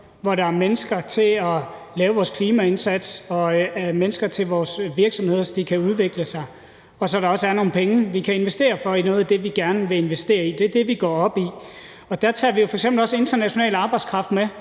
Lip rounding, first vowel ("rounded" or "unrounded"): rounded